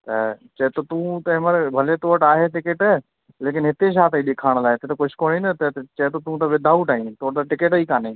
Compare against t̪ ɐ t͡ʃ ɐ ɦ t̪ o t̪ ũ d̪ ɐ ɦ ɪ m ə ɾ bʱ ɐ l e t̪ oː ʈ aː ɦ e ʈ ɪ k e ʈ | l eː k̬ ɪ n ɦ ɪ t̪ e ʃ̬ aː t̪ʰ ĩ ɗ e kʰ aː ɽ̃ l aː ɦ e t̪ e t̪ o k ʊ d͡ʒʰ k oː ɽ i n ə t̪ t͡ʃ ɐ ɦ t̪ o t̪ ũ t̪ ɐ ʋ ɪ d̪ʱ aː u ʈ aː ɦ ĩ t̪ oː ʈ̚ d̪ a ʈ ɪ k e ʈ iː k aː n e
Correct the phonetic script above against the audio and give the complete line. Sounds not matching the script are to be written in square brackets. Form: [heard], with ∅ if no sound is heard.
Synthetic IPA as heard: t̪ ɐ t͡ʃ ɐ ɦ t̪ o t̪ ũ [t̪] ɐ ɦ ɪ m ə ɾ bʱ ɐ l e t̪ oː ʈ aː ɦ e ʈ ɪ k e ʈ | l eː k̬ ɪ n ɦ ɪ t̪ e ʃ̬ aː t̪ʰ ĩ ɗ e kʰ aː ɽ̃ l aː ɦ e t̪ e t̪ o k ʊ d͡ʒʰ k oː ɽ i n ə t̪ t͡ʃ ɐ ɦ t̪ o t̪ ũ t̪ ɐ ʋ ɪ d̪ʱ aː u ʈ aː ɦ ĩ t̪ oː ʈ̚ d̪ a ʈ ɪ k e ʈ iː k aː n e